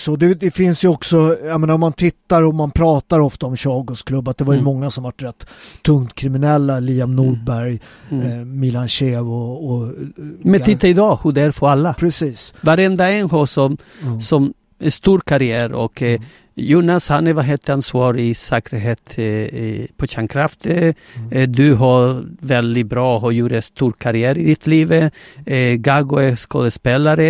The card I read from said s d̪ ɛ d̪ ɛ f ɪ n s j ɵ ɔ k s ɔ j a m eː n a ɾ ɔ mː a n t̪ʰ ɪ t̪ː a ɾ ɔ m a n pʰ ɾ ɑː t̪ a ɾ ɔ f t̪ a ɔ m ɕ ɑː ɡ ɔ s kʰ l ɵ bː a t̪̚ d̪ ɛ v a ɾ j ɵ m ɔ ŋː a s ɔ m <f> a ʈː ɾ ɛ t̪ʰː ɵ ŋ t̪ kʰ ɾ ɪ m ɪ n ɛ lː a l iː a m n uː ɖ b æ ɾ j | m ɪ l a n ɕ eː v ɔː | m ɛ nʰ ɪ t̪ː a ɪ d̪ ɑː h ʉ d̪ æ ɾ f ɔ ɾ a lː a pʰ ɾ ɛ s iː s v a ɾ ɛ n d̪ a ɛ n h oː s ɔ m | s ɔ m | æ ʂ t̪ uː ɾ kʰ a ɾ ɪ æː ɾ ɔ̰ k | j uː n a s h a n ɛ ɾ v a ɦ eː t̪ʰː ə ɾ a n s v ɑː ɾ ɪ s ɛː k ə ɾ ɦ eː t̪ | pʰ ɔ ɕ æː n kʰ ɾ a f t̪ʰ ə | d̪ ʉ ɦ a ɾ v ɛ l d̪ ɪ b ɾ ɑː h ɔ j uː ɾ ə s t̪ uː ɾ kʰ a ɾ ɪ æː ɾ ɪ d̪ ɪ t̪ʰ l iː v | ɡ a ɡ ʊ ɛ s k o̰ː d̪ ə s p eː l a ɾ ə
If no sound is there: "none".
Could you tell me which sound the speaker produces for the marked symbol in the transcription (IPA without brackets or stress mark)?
v